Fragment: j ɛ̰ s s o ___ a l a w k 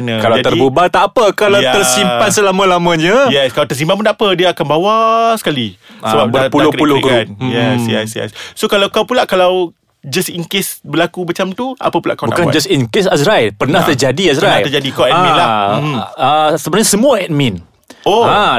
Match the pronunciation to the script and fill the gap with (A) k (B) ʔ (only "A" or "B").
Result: A